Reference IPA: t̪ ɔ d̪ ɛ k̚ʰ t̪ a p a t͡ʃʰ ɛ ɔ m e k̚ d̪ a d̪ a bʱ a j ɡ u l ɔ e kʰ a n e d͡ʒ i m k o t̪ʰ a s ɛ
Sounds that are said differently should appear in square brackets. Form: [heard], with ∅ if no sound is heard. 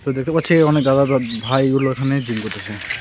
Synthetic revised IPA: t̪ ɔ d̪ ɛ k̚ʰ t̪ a p a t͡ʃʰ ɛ ɔ [n] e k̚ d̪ a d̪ a bʱ a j ɡ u l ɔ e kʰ a n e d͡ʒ i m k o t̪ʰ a s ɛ